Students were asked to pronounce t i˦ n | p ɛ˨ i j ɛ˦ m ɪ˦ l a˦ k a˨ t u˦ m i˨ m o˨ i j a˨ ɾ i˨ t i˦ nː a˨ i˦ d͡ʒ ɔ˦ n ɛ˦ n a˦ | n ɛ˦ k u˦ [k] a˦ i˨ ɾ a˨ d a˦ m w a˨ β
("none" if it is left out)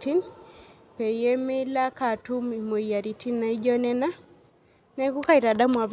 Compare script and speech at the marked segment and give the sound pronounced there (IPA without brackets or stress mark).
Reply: k